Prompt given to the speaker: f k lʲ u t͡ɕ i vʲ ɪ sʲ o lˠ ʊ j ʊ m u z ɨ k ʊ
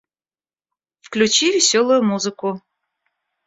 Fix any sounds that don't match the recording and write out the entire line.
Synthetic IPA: f k lʲ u t͡ɕ i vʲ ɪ sʲ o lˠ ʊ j ʊ m u z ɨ k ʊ